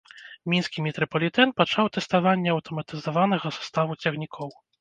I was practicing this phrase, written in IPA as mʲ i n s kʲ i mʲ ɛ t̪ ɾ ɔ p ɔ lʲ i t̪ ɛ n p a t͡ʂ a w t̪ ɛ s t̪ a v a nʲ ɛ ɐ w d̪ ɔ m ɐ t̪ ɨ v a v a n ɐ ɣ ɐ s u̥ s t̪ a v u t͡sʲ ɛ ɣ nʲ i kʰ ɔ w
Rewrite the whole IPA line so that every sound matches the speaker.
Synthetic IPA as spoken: mʲ i n s kʲ i mʲ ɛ t̪ ɾ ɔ p ɔ lʲ i t̪ ɛ n p a t͡ʂ a w t̪ ɛ s t̪ a v a nʲː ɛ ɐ w t̪ ɔ m ɐ t̪ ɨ z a v a n ɐ ɣ ɐ s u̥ s t̪ a v u t͡sʲ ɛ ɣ nʲ i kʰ ɔ w